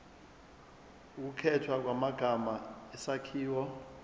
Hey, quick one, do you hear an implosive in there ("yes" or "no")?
no